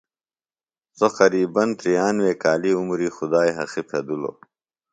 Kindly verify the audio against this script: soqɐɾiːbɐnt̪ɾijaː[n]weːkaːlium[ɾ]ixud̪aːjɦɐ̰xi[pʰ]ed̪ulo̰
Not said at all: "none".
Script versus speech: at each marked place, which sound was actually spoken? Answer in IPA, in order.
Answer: n, ɾ, pʰ

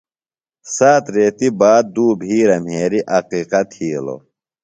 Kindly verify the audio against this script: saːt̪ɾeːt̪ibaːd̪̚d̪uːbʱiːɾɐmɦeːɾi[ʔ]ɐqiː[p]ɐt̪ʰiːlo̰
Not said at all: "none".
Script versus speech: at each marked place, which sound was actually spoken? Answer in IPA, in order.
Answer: ʔ, q

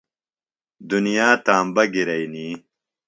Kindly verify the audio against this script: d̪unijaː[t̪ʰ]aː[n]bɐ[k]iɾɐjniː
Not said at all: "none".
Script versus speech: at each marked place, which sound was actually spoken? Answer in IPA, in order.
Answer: t̪, m, ɡ

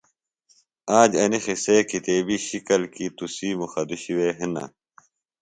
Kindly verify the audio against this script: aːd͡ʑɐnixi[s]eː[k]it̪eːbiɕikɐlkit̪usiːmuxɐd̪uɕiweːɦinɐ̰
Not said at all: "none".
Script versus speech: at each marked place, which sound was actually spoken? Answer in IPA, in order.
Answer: s, k

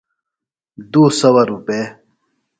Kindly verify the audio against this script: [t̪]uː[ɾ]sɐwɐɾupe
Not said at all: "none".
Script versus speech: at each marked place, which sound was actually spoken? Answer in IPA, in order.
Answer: d̪, none

